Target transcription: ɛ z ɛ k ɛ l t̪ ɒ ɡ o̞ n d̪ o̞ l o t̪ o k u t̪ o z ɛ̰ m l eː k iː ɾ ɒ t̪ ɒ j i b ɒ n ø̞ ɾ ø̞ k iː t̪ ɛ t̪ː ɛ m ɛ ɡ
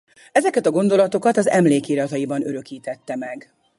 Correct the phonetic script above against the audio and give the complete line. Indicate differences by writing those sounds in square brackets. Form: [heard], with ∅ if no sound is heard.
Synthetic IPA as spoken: ɛ z ɛ k ɛ [∅] t̪ ɒ ɡ o̞ n d̪ o̞ l [ɒ] t̪ o k [ɒ] t̪ [ɒ] z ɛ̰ m l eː k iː ɾ ɒ t̪ ɒ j i b ɒ n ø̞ ɾ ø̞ k iː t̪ ɛ t̪ː ɛ m ɛ ɡ

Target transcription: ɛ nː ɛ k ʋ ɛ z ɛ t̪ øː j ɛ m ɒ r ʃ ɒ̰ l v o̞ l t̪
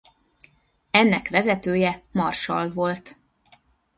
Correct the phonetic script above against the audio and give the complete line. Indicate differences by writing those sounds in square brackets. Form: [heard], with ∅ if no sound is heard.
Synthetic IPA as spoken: ɛ nː ɛ k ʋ ɛ z ɛ t̪ øː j ɛ m ɒ r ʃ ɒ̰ l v o̞ l t̪

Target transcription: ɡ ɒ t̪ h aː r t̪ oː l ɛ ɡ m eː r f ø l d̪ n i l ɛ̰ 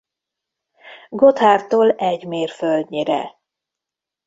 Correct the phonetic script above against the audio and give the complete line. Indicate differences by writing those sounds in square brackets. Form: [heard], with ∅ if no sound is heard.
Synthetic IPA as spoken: ɡ [o] t̪ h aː r t̪ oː l ɛ [ɟ] m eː r f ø l d̪ [ɲ] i [ɾ] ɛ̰

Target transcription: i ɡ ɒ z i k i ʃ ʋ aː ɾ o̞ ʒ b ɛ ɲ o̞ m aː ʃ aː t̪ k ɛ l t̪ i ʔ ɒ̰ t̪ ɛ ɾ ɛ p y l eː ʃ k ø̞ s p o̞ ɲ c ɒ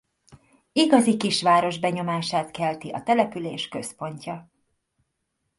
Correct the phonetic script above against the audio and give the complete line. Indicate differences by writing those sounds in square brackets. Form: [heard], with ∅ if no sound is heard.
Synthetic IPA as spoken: i ɡ ɒ z i k i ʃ ʋ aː ɾ o̞ ʒ b ɛ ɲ o̞ m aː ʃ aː t̪ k ɛ l t̪ i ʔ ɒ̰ t̪ ɛ [l] ɛ p y l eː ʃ k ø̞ s p o̞ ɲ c ɒ

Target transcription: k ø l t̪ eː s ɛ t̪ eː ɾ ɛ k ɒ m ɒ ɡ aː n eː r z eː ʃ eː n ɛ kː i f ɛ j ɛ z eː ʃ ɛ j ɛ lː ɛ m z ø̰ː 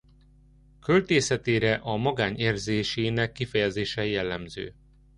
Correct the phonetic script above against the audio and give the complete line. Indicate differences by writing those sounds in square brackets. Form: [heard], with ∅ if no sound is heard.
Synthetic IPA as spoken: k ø l t̪ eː s ɛ t̪ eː ɾ ɛ [ʔ] ɒ m ɒ ɡ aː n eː r z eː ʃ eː n ɛ kː i f ɛ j ɛ z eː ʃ ɛ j ɛ lː ɛ m z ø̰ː

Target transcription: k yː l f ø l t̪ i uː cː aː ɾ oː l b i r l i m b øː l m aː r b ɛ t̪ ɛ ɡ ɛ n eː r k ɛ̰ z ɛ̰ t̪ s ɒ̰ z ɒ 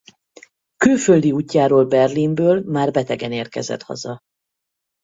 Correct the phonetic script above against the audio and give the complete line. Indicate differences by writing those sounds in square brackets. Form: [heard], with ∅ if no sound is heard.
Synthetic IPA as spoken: k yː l f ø l [d̪] i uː cː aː ɾ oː l b [ɛ] r l i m b øː l m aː r b ɛ t̪ ɛ ɡ ɛ n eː r k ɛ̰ z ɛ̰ t̪ [h] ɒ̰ z ɒ

